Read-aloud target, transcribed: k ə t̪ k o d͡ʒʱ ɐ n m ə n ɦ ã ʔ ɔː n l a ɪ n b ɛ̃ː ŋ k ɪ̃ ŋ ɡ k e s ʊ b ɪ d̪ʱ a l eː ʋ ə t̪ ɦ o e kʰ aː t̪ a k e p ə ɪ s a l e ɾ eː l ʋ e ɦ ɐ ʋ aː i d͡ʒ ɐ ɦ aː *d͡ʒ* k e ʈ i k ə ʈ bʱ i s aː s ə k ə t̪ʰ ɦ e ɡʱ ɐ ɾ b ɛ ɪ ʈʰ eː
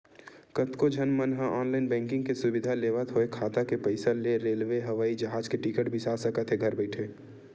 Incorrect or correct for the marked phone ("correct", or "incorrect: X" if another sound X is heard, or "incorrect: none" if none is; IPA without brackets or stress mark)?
correct